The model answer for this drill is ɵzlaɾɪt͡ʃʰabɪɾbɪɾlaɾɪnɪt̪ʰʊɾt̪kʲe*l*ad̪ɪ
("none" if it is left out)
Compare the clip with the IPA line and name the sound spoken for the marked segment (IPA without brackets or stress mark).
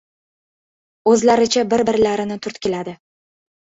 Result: l